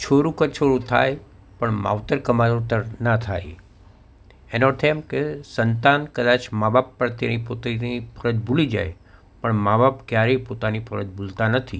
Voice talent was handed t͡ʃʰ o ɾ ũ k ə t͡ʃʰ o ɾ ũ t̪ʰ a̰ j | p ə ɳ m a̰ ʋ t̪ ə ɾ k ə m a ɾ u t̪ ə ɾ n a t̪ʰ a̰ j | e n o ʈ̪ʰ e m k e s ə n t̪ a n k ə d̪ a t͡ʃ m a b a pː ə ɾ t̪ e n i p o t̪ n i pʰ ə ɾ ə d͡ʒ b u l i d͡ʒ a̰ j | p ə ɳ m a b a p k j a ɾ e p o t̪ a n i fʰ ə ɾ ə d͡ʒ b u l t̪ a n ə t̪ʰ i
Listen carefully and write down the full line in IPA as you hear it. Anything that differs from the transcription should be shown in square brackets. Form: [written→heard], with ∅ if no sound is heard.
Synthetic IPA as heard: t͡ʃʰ o ɾ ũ k ə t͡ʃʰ o ɾ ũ t̪ʰ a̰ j | p ə ɳ m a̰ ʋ t̪ ə ɾ k ə m a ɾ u t̪ ə ɾ n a t̪ʰ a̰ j | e n o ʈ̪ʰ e m k e s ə n t̪ a n k ə d̪ a t͡ʃ m a b a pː ə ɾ t̪ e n i p o t̪ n i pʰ ə ɾ ə d͡ʒ b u l i d͡ʒ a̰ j | p ə ɳ m a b a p k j a ɾ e p o t̪ a n i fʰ ə ɾ ə d͡ʒ b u l t̪ a n ə t̪ʰ i